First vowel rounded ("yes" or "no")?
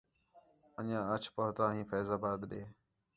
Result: no